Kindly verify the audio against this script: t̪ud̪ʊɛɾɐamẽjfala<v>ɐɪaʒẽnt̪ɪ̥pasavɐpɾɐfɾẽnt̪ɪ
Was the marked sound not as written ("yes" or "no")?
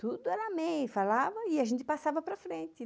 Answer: no